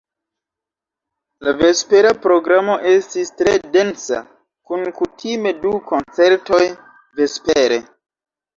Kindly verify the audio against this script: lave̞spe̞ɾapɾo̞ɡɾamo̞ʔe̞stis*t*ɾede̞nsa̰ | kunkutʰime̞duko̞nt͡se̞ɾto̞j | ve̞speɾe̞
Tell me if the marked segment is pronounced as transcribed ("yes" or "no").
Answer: yes